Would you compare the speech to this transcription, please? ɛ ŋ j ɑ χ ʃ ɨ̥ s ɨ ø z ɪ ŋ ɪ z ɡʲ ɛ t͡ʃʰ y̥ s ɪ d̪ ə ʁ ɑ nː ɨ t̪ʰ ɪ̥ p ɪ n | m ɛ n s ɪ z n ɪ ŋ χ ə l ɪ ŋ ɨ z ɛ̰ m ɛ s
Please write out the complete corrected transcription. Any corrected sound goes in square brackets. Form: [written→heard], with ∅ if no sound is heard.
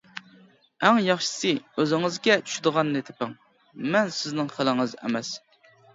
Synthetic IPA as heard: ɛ ŋ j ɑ χ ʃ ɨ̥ s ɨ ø z ɪ ŋ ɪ z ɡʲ ɛ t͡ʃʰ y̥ [s→ʃ] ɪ d̪ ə ʁ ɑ nː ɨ t̪ʰ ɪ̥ p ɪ [n→ŋ] | m ɛ n s ɪ z n ɪ ŋ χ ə l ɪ ŋ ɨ z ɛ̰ m ɛ s